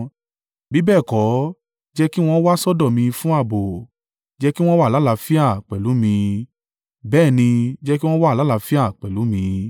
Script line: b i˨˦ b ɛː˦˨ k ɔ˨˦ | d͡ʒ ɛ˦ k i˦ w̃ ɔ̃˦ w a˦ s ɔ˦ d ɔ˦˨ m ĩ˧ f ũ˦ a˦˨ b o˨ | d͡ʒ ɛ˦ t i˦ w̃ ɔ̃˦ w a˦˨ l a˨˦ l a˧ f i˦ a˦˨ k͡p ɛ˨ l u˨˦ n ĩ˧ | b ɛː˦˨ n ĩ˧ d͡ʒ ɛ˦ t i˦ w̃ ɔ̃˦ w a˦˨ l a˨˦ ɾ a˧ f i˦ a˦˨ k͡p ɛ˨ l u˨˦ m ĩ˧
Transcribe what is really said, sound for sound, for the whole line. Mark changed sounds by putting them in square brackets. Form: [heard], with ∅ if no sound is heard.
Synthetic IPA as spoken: b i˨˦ b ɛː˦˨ k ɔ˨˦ | d͡ʒ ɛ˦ k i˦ w̃ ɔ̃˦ w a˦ s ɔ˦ d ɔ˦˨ m ĩ˧ f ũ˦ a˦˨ b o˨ | d͡ʒ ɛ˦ [k] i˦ w̃ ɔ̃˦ w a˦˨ l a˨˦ l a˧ f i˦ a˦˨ k͡p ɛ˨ l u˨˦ [m] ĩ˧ | b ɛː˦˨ n ĩ˧ d͡ʒ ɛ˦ [k] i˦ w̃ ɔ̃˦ w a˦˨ l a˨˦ [l] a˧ f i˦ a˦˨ k͡p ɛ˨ l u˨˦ m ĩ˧